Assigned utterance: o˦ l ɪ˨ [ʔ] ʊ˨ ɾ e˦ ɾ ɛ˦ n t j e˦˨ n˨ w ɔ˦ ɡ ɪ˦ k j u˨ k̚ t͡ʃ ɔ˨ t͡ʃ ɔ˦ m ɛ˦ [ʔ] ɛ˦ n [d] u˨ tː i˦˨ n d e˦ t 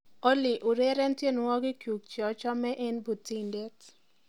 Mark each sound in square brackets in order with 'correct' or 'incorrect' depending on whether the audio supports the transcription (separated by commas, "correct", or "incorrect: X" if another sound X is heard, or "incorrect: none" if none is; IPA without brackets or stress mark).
correct, correct, incorrect: b